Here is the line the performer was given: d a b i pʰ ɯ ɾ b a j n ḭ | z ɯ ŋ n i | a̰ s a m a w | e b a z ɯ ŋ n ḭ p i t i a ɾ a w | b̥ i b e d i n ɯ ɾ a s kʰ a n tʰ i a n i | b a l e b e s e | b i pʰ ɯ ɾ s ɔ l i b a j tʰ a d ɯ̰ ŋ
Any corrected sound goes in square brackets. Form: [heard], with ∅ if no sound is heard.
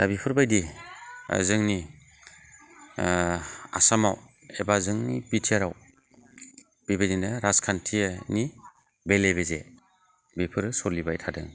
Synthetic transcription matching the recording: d a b i pʰ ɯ ɾ b a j [d] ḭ | z ɯ ŋ n i | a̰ s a m a w | e b a z ɯ ŋ n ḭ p i [tʰ] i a ɾ a w | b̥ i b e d i n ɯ ɾ a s kʰ a n tʰ i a n i | b [e] l e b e [z] e | b i pʰ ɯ ɾ s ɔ l i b a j tʰ a d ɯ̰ ŋ

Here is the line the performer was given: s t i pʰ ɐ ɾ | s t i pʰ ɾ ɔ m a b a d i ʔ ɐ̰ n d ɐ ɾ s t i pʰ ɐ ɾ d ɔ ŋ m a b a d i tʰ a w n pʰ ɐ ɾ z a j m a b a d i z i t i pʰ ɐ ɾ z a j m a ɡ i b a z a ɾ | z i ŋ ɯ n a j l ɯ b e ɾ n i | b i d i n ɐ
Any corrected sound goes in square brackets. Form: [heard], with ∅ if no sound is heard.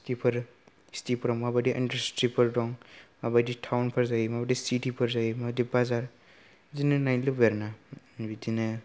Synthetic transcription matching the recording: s t i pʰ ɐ ɾ | s t i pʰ ɾ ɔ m a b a d i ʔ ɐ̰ n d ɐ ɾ s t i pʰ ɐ ɾ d ɔ ŋ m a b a d i tʰ a w n pʰ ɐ ɾ z a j m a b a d i [s] i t i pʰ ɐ ɾ z a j m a [d] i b a z a ɾ | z i [n] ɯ n a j l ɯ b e ɾ n [a] | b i d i n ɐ

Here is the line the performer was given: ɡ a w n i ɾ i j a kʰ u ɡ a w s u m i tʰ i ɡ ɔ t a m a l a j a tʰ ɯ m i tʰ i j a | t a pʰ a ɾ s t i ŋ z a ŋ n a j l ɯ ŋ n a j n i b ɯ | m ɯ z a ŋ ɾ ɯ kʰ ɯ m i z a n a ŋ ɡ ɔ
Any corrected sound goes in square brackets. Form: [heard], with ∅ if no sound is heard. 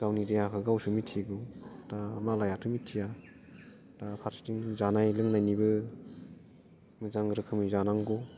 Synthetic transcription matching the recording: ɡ a w n i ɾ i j a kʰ [ɯ] ɡ a w s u m i tʰ i ɡ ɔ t a m a l a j a tʰ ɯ m i tʰ i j a | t a pʰ a ɾ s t i ŋ z a [∅] n a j l ɯ ŋ n a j n i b ɯ | m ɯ z a ŋ ɾ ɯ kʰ ɯ m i z a n a ŋ ɡ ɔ

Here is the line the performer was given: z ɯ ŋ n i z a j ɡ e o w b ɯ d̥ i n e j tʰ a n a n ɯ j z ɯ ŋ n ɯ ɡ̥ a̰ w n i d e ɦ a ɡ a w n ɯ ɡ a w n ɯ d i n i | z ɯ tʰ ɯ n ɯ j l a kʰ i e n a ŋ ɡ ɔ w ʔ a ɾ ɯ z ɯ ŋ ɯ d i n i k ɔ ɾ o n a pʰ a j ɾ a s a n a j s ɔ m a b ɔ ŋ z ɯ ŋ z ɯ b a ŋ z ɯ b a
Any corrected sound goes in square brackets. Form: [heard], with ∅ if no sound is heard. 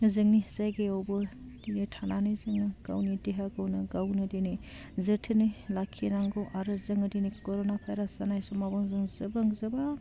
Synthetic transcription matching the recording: z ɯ ŋ n i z a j ɡ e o w b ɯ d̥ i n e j tʰ a n a n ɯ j z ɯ ŋ n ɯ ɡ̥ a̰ w n i d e ɦ a ɡ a w n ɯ ɡ a w n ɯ d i n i | z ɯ tʰ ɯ n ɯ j l a kʰ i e n a ŋ ɡ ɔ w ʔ a ɾ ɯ z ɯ ŋ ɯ d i n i k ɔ ɾ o n a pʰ a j ɾ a s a n a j s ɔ m a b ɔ ŋ z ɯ ŋ z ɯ b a ŋ z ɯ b a

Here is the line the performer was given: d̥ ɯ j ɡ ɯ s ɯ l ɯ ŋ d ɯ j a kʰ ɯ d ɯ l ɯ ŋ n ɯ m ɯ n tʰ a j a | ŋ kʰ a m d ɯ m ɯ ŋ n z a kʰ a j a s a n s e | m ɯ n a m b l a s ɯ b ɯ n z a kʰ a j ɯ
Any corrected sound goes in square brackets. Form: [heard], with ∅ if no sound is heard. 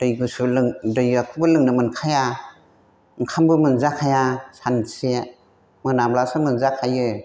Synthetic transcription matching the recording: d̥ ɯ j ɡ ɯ s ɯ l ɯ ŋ d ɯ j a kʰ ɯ [b] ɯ l ɯ ŋ n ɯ m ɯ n [kʰ] a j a | ŋ kʰ a m [b] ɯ m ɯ [∅] n z a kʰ a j a s a n s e | m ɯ n a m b l a s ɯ [m] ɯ n z a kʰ a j ɯ

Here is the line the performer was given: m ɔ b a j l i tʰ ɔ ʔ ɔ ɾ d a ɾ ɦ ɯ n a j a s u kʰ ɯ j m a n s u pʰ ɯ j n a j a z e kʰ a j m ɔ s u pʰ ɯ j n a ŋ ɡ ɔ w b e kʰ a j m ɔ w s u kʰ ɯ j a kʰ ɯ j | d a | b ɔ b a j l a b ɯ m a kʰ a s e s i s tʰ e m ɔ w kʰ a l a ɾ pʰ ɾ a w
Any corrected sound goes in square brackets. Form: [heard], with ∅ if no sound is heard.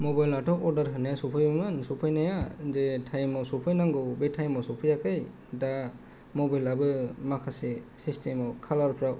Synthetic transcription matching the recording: m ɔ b a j l [a] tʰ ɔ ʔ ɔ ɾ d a ɾ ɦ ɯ n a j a s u [pʰ] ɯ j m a n s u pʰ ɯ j n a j a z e [tʰ] a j m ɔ s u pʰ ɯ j n a ŋ ɡ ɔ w b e [tʰ] a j m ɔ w s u [pʰ] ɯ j a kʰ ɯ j | d a | [m] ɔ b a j l a b ɯ m a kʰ a s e s i s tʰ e m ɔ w kʰ a l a ɾ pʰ ɾ a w

